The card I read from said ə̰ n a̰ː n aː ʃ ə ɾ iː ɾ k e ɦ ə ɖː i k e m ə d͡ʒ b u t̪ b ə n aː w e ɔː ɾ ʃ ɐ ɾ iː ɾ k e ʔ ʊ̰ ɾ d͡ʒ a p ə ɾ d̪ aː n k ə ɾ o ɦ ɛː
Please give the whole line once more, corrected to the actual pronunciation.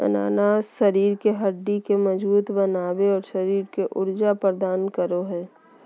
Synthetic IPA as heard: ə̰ n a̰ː n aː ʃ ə ɾ iː ɾ k e ɦ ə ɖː i k e m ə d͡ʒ b uː t̪ b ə n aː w e ɔː ɾ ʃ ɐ ɾ iː ɾ k e ʔ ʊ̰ ɾ d͡ʒ a p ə ɾ d̪ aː n k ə ɾ o ɦ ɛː